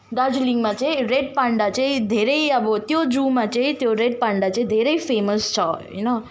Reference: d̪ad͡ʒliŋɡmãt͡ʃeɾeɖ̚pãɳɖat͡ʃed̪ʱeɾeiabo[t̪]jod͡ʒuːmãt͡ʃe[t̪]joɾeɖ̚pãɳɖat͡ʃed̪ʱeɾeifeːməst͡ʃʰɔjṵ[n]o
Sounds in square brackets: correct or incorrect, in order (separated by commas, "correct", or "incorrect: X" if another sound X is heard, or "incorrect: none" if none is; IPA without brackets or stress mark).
correct, correct, correct